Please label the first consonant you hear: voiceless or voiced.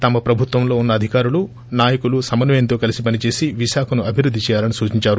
voiceless